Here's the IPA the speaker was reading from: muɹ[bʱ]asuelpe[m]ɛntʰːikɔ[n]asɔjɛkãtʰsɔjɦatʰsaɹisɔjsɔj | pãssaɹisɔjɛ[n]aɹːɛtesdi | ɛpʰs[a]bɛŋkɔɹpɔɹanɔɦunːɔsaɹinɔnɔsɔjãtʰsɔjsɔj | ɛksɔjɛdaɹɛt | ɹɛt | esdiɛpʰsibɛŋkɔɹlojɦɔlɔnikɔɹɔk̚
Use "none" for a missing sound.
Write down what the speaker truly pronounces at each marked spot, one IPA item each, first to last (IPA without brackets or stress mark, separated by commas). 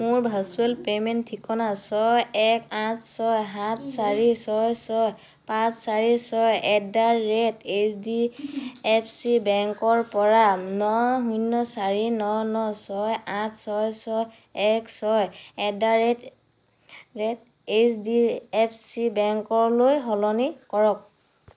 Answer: bʱ, m, n, d, i